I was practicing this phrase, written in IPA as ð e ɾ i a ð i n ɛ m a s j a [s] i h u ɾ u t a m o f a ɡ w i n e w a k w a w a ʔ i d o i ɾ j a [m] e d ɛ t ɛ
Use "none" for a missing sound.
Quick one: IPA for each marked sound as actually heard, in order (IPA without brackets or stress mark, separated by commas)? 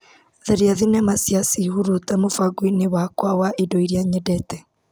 s, ɲ